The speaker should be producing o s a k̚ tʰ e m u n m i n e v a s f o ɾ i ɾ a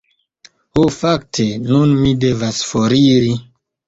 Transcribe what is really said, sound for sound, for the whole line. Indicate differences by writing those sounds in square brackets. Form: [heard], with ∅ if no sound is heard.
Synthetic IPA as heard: o [f] a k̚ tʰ e [n] u n m i [d] e v a s f o ɾ i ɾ [i]